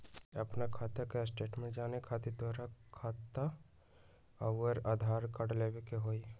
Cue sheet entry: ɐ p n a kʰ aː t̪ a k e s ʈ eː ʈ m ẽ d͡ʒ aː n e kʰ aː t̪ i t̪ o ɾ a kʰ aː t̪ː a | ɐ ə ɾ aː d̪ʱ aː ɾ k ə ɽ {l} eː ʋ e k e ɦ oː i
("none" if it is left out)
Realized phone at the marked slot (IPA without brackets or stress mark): l